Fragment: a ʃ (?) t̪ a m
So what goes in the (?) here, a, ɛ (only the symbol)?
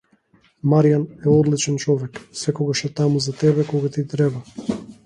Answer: ɛ